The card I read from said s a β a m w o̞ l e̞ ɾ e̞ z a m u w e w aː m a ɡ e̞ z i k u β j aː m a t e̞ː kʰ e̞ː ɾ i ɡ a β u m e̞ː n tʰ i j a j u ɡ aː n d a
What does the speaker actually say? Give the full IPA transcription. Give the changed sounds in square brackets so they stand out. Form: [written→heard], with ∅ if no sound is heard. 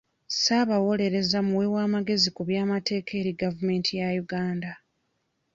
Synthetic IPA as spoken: s a β a [m→∅] w o̞ l e̞ ɾ e̞ z a m u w e w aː m a ɡ e̞ z i k u β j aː m a t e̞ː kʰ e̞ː ɾ i ɡ a [β→v] u m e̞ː n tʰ i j a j u ɡ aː n d a